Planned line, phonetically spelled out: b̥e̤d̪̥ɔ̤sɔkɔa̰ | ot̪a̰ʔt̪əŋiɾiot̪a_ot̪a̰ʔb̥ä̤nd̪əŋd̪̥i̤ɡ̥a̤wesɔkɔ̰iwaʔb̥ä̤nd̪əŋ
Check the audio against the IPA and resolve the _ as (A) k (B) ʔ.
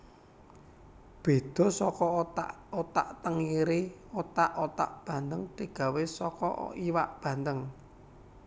B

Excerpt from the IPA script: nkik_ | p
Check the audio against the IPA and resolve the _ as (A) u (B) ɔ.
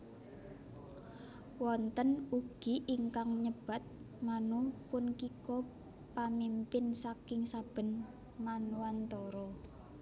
B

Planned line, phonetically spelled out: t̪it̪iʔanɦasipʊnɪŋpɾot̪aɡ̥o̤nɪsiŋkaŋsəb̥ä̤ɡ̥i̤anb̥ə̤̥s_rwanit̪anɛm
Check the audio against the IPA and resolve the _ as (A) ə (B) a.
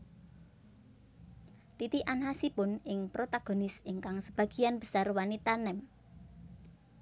B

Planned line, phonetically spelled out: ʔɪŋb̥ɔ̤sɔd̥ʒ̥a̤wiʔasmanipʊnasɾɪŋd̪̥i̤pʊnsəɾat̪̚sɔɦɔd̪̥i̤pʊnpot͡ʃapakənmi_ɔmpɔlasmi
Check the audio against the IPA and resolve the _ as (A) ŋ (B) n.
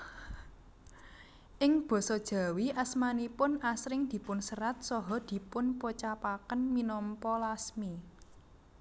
B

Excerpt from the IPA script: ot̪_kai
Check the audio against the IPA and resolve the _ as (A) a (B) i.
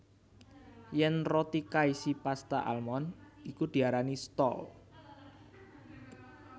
B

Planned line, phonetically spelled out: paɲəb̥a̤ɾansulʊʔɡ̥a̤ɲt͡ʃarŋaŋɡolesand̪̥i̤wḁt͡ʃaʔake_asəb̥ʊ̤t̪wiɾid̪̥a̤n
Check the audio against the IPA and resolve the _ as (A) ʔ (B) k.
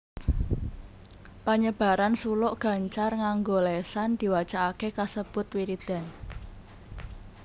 B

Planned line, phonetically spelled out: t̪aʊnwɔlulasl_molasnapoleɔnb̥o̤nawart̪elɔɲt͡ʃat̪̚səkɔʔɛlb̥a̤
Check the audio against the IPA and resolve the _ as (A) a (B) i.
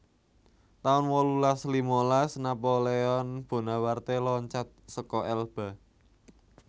B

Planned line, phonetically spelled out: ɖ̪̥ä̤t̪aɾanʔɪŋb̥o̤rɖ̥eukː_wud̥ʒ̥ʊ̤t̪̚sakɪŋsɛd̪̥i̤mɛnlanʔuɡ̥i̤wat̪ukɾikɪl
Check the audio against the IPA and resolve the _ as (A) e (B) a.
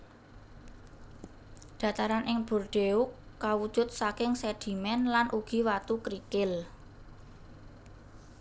B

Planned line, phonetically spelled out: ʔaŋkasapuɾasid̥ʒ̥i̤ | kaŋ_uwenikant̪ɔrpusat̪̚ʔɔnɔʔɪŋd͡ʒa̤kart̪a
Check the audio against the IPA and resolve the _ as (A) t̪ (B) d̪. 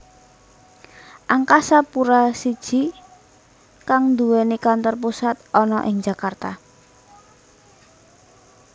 B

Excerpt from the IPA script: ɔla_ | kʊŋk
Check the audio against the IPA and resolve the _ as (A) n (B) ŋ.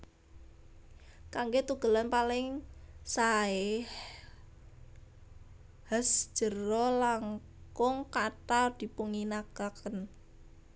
B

